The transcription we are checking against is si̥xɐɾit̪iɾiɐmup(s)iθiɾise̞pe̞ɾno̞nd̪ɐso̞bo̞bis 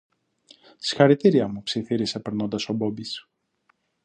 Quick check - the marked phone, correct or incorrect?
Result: correct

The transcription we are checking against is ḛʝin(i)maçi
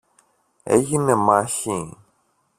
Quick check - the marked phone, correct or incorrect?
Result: incorrect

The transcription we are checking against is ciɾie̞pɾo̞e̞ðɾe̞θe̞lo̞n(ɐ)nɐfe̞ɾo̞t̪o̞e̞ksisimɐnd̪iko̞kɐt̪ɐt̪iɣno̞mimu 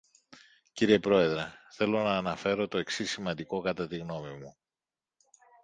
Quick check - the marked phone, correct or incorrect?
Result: incorrect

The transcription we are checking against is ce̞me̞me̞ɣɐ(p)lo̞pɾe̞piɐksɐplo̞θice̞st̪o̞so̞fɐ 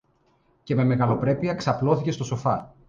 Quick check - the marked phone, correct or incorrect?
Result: incorrect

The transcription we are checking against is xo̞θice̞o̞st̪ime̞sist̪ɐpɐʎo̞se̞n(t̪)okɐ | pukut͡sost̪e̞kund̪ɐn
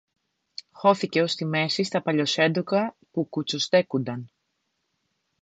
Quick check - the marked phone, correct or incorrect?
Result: incorrect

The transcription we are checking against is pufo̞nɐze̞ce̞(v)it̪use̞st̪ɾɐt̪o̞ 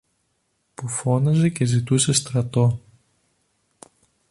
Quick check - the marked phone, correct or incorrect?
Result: incorrect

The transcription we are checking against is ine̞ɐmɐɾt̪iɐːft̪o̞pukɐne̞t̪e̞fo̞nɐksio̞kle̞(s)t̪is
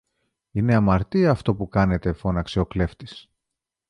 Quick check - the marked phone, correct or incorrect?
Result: incorrect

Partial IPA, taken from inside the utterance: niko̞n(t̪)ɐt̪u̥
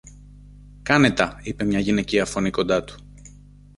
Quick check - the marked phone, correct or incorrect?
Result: incorrect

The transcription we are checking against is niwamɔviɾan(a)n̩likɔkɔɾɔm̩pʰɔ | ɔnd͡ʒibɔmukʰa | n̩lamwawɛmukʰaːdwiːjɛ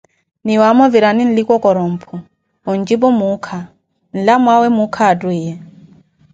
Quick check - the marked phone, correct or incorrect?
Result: incorrect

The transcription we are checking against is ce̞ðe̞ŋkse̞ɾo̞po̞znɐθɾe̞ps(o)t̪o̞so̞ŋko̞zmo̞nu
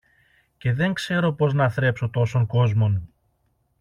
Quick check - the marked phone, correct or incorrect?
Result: correct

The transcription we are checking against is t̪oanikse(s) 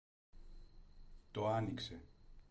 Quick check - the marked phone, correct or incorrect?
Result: incorrect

